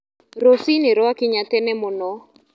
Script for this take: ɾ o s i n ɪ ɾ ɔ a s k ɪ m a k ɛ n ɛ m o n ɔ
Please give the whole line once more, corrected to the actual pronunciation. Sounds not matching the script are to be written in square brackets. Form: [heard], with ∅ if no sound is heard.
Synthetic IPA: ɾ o s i n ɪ ɾ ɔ a [∅] k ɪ [ɲ] a [t] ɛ n ɛ m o n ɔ